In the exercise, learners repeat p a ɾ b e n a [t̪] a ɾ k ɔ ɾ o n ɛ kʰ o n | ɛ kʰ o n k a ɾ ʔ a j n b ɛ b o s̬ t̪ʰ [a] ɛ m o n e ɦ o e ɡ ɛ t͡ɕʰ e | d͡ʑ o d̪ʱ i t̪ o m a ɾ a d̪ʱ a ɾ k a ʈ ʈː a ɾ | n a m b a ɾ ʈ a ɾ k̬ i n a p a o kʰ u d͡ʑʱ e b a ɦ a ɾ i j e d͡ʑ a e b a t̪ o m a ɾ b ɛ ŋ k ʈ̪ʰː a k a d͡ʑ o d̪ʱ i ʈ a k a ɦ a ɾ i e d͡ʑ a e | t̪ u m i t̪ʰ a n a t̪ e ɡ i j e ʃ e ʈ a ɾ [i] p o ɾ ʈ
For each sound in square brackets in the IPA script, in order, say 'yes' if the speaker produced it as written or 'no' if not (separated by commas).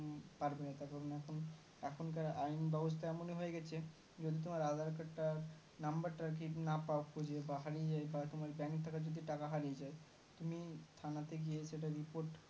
yes, yes, yes